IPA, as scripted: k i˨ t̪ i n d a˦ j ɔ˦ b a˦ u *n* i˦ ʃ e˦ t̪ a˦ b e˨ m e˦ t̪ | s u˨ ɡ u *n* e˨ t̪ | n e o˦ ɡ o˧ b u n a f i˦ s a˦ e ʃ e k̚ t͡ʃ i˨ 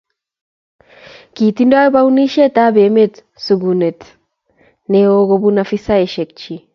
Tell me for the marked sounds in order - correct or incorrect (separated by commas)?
correct, correct